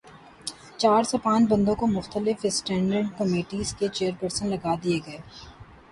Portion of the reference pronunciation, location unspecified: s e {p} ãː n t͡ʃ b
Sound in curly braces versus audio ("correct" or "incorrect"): correct